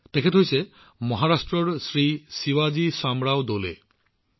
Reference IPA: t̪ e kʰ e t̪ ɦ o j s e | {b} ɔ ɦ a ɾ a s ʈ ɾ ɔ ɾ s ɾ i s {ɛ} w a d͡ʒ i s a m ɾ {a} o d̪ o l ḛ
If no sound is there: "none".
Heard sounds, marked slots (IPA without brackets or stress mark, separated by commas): m, i, a